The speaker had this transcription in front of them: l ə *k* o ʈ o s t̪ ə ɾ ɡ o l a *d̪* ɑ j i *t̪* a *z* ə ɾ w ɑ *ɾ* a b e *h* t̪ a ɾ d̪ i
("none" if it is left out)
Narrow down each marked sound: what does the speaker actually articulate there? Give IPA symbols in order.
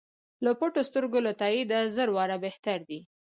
p, t̪, d̪, z, ɾ, h

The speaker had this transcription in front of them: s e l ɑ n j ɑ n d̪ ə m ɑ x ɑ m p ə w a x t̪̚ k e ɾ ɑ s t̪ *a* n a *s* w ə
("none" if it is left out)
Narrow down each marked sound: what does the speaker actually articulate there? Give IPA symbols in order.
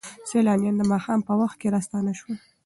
ɑ, ʃ

